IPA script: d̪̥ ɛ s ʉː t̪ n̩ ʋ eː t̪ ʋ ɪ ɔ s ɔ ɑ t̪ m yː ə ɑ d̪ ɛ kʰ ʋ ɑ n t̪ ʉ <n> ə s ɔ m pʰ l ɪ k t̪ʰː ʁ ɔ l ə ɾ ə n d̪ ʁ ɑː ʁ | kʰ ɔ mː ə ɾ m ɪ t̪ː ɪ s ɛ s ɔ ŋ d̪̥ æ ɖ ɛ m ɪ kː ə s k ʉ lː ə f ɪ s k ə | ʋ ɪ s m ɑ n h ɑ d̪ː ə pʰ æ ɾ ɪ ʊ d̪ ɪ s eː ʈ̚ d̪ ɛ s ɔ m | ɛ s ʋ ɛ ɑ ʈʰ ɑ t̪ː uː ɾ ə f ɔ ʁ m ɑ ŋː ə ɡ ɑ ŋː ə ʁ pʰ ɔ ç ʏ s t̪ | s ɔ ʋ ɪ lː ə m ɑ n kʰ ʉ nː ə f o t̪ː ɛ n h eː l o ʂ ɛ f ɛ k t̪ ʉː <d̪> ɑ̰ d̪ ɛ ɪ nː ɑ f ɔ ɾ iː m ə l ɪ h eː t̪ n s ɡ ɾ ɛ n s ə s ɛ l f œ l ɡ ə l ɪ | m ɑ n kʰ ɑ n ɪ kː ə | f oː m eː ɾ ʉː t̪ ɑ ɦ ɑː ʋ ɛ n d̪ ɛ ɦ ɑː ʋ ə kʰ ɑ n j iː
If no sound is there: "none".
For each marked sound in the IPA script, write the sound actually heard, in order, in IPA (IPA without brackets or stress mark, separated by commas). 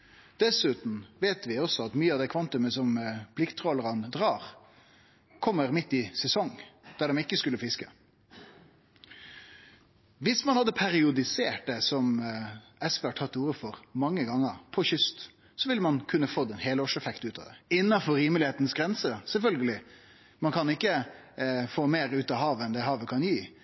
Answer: m, t̪